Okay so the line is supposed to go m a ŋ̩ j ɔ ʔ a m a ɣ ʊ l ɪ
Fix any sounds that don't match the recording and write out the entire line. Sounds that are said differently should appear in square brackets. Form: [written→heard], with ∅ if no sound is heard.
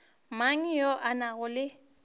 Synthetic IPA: m a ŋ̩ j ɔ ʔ a [m→n] a ɣ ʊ l ɪ